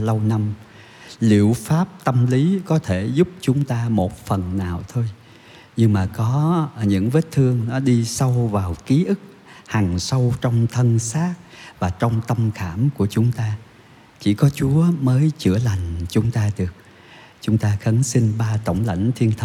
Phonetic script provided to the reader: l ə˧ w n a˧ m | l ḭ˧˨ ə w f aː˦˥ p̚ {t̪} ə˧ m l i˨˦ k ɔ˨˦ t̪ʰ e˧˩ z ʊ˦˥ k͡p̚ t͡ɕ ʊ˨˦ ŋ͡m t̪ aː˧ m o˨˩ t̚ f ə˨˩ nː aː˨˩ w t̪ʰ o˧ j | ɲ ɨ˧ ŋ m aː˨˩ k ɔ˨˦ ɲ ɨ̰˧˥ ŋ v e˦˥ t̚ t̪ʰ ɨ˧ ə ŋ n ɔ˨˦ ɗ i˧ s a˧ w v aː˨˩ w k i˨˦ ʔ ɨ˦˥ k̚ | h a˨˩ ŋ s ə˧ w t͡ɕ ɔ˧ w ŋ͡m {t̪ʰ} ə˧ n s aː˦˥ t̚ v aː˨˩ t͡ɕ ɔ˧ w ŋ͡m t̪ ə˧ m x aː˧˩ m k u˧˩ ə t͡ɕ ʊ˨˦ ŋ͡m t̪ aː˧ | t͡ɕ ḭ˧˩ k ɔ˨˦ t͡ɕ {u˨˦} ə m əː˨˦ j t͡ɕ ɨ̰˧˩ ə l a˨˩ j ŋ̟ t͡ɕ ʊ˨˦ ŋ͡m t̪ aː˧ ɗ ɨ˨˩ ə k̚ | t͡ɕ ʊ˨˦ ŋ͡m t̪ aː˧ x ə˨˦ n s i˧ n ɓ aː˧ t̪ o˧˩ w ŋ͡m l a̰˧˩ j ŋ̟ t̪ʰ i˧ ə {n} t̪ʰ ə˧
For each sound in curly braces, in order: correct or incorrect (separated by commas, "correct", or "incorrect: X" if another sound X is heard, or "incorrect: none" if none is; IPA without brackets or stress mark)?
correct, correct, correct, correct